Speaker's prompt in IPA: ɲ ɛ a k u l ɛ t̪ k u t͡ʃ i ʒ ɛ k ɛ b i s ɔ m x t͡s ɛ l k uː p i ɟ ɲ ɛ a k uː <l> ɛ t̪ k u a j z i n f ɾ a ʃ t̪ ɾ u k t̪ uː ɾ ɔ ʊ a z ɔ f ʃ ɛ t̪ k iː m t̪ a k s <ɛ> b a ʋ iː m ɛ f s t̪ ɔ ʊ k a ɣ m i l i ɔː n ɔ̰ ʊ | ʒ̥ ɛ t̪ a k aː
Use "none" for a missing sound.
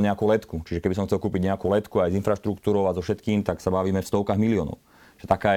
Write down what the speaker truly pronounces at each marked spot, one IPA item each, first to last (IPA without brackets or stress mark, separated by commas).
l, a